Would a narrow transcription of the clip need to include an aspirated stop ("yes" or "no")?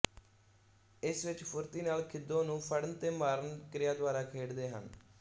yes